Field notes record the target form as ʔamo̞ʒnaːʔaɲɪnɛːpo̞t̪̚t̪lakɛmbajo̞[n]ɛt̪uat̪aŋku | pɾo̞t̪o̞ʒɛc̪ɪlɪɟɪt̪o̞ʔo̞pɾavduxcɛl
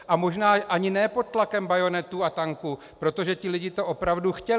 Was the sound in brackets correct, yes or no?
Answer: yes